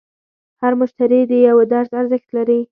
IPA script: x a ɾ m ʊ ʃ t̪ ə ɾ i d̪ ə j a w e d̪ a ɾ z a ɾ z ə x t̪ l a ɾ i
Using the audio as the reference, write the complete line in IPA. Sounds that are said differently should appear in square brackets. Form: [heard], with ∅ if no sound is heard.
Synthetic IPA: [h] a ɾ m ʊ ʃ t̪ [a] ɾ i d̪ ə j a w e d̪ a ɾ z a ɾ z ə x t̪ l a ɾ i